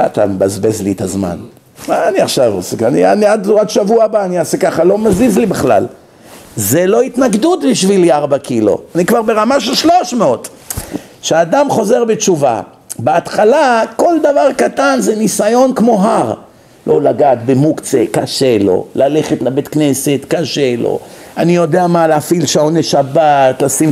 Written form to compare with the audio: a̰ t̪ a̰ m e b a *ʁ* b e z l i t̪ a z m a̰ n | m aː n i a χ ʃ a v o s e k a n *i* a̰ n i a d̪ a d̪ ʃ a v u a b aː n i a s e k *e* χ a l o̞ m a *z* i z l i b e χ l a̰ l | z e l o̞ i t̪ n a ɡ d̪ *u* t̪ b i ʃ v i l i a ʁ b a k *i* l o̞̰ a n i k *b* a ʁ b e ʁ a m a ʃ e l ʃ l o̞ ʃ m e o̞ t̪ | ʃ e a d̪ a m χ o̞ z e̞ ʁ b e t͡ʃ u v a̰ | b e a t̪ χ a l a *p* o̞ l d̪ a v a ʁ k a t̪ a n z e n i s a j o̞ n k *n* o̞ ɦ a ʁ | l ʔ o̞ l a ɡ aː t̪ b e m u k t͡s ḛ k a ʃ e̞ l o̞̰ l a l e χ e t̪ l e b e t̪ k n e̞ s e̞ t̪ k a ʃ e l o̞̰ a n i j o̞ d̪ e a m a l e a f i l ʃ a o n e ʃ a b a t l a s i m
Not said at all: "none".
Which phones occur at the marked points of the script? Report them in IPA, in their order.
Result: z, i, a, z, u, i, v, k, m

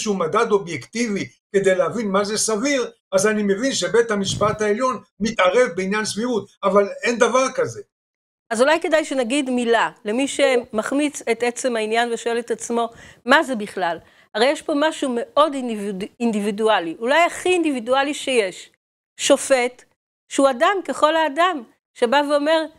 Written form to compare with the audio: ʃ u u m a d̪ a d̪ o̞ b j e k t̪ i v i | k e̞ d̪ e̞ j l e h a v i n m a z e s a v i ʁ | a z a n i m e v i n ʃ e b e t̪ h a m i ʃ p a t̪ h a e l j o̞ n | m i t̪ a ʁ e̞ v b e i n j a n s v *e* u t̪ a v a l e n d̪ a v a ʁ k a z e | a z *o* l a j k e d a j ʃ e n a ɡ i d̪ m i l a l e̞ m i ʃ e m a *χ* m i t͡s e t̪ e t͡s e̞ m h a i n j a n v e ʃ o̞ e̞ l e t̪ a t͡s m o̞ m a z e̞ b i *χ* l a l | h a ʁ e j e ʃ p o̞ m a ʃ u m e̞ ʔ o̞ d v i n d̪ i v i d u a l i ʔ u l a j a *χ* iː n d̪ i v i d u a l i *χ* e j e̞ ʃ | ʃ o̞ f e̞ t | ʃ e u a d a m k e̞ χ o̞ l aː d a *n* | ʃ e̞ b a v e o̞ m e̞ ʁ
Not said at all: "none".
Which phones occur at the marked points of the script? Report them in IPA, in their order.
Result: i, u, χ, χ, χ, ʃ, m

